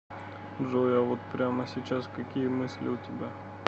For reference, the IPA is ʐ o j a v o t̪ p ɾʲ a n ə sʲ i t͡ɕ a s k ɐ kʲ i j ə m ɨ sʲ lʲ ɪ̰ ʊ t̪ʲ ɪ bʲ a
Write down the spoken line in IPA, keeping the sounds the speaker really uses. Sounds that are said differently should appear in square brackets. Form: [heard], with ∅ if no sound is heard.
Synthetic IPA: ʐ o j a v o t̪ p ɾʲ a [m] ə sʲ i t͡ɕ a s k ɐ kʲ i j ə m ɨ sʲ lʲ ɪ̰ ʊ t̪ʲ ɪ bʲ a